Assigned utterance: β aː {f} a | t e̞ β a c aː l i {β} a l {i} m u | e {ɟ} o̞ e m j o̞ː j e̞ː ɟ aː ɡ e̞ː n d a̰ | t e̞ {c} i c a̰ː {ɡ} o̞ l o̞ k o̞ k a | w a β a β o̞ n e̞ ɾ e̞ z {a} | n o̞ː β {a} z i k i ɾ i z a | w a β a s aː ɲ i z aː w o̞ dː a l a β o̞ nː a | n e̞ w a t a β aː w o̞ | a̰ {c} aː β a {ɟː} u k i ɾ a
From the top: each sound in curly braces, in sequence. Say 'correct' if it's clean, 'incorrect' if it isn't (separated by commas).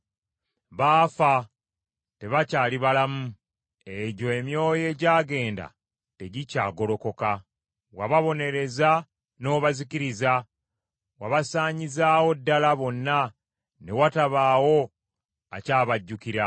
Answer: correct, correct, incorrect, correct, incorrect, correct, correct, correct, correct, correct